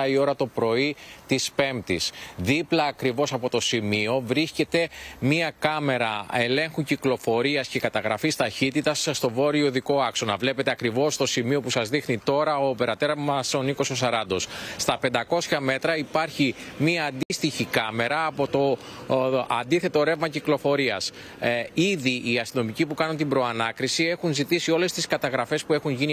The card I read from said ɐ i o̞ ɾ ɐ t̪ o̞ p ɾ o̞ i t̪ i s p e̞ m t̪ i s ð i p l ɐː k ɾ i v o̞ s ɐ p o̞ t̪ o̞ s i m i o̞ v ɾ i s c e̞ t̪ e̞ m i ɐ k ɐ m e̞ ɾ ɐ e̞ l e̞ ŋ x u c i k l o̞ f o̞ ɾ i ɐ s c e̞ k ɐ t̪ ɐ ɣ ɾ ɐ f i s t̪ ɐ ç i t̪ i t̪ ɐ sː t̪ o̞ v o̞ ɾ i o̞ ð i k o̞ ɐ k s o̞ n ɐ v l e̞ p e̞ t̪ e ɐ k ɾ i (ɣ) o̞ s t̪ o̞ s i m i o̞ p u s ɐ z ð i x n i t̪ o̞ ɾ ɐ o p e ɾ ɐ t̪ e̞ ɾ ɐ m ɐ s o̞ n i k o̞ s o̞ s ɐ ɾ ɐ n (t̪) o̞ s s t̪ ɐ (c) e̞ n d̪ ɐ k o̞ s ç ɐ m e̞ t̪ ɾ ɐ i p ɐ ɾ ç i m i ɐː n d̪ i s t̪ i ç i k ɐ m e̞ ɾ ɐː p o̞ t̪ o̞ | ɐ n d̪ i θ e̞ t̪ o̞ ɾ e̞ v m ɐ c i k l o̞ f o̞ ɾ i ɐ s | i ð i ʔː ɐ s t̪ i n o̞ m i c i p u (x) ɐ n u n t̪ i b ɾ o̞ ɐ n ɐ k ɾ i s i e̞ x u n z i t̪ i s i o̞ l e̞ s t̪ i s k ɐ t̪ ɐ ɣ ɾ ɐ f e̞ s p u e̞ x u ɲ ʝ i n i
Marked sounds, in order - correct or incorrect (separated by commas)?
incorrect, incorrect, incorrect, incorrect